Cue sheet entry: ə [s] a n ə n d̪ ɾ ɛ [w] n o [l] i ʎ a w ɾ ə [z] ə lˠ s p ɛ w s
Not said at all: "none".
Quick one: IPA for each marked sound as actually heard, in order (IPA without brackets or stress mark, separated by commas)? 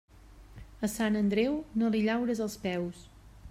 s, w, l, z